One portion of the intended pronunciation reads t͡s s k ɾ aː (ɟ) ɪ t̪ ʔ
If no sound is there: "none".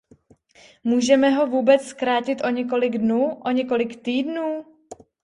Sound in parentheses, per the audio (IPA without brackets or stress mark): c